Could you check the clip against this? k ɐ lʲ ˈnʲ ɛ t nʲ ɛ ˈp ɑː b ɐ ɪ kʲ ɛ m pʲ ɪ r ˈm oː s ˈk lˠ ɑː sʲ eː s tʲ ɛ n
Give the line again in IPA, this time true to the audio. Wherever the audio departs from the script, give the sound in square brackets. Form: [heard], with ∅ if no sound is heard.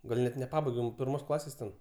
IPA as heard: [ɡ] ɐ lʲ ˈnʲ ɛ t nʲ ɛ ˈp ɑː b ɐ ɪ [ɡʲ] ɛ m pʲ ɪ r ˈm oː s ˈk lˠ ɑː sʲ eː s tʲ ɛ n